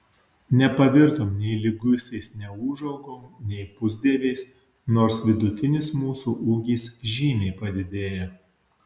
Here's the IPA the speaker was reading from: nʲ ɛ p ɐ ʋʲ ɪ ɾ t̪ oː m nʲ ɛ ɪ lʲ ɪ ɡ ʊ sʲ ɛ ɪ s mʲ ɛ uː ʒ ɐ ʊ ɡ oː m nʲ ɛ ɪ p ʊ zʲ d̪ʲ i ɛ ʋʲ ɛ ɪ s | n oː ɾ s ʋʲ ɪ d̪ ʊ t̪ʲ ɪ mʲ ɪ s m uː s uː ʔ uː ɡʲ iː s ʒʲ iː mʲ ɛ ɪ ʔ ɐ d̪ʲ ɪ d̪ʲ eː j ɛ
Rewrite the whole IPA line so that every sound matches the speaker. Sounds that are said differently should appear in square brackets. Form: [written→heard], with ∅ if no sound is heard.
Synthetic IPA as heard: nʲ ɛ p ɐ ʋʲ ɪ ɾ t̪ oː m nʲ ɛ ɪ lʲ ɪ ɡ ʊ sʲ ɛ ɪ s [mʲ→nʲ] ɛ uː ʒ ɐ ʊ ɡ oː m nʲ ɛ ɪ p ʊ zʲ d̪ʲ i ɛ ʋʲ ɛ ɪ s | n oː ɾ s ʋʲ ɪ d̪ ʊ t̪ʲ ɪ [mʲ→nʲ] ɪ s m uː s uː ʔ uː ɡʲ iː s ʒʲ iː mʲ ɛ ɪ [ʔ→p] ɐ d̪ʲ ɪ d̪ʲ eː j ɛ